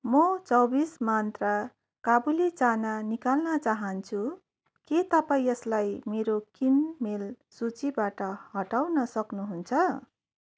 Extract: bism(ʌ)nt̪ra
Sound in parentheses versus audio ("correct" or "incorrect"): incorrect